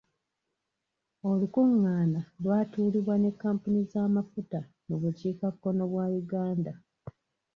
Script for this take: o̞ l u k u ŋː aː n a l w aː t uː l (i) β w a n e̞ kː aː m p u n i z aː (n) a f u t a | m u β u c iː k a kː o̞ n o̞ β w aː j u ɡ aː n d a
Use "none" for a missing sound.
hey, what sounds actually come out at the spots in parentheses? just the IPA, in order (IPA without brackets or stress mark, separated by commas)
i, m